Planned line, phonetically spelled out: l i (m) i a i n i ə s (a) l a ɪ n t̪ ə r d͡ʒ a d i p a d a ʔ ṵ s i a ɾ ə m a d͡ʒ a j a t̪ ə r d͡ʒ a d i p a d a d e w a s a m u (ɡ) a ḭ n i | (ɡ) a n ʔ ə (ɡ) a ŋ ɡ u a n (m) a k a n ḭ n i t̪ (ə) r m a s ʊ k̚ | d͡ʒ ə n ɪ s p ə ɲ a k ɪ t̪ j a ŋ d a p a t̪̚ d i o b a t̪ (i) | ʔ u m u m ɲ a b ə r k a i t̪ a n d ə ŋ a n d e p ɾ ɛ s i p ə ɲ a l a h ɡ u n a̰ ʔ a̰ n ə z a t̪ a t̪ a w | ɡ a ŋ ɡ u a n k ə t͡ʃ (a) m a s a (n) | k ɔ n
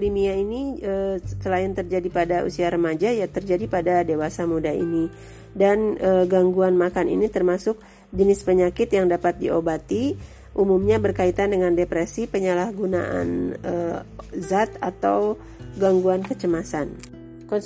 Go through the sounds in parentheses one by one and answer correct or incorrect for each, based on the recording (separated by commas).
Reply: correct, incorrect, incorrect, incorrect, correct, correct, correct, correct, incorrect, correct